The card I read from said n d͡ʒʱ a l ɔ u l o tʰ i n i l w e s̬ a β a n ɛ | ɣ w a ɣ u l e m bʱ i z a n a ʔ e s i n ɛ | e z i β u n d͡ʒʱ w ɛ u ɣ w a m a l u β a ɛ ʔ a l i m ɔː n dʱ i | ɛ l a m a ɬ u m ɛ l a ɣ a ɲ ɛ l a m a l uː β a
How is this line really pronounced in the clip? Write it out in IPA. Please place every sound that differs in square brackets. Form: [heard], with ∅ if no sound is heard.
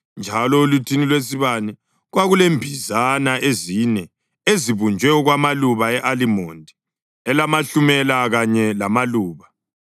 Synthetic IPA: n d͡ʒʱ a l ɔ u l [u] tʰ i n i l w e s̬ [i] β a n ɛ | ɣ w a ɣ u l e m bʱ i z a n a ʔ e [z] i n ɛ | e z i β u n d͡ʒʱ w ɛ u ɣ w a m a l u β a ɛ ʔ a l i m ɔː n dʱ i | ɛ l a m a ɬ u m ɛ l a ɣ a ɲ ɛ l a m a l uː β a